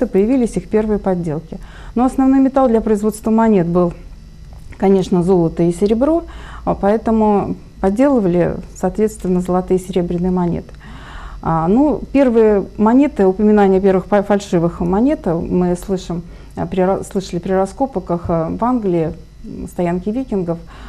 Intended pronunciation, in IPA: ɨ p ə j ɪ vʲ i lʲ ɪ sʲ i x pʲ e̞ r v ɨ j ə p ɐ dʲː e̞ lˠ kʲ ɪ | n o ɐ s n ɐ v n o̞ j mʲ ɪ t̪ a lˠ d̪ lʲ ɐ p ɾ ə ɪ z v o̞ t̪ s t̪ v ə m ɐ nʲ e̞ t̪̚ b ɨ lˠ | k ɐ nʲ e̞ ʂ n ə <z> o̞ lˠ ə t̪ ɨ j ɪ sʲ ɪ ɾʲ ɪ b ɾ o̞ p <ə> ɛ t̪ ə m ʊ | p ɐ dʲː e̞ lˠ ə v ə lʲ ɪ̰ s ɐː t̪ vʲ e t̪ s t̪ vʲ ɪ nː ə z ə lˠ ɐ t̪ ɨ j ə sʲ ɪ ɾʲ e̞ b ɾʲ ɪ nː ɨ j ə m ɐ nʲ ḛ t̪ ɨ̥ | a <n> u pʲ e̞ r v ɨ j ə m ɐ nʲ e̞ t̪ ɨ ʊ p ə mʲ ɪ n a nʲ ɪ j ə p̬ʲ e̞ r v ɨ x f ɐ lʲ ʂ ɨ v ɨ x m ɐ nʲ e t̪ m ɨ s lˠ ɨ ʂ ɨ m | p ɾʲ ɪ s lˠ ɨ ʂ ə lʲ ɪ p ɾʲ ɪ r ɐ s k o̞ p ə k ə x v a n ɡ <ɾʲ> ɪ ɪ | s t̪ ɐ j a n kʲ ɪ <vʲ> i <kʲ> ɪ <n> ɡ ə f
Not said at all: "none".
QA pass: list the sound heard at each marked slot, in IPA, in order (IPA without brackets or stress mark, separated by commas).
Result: z, ɐ, n, lʲ, vʲ, kʲ, n